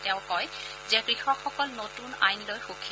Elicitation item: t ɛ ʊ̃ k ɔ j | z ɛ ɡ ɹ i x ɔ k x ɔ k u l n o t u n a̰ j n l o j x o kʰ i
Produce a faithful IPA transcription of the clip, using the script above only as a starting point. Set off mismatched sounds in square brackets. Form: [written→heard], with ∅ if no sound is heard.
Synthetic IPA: t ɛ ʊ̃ k ɔ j | z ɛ [ɡ→k] ɹ i x ɔ k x ɔ k [u→ɔ] l n o t u n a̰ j n l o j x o kʰ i